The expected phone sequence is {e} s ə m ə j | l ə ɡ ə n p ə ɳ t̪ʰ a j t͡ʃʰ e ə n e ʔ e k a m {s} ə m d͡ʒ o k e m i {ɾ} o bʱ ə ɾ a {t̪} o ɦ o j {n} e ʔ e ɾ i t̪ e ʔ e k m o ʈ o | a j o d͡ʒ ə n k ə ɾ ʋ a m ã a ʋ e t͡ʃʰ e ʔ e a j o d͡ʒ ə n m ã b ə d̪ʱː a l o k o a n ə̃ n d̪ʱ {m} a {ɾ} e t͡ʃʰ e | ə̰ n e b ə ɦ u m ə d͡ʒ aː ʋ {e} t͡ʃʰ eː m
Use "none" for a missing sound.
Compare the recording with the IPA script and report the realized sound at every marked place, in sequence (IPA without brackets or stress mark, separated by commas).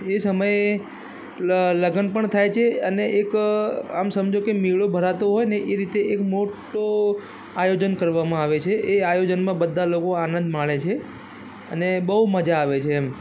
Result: e, s, ɭ, t̪, n, m, ɭ, e